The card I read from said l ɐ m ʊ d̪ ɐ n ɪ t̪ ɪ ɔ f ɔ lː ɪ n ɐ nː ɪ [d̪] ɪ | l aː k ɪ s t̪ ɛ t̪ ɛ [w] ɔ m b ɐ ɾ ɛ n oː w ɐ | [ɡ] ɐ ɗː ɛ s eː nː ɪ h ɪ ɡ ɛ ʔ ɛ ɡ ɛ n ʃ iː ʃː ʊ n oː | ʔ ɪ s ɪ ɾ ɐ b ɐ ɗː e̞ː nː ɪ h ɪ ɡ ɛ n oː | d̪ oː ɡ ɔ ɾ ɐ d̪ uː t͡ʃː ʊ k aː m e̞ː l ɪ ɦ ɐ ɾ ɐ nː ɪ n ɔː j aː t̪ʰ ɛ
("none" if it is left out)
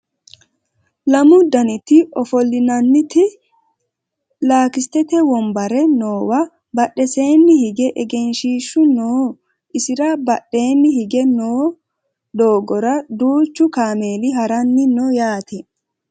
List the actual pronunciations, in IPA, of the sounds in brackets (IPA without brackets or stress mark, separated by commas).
t̪, w, b